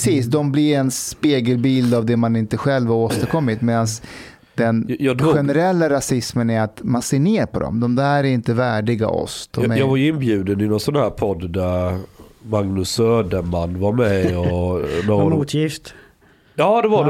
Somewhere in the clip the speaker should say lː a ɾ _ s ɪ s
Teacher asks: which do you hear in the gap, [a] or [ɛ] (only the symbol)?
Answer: a